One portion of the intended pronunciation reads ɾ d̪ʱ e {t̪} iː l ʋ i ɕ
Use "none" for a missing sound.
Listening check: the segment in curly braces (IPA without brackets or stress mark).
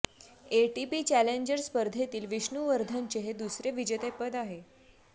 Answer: t̪